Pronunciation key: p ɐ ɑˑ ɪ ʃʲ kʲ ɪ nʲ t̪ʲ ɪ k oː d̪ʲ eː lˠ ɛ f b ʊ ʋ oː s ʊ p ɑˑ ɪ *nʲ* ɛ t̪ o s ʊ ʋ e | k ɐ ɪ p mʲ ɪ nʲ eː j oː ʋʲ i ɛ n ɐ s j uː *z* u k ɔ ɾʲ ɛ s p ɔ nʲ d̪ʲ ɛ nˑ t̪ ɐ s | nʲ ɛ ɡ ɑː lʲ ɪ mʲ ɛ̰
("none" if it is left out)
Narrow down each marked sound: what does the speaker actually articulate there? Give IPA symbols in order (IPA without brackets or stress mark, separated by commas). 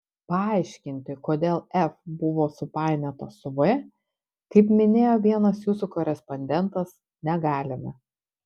nʲ, s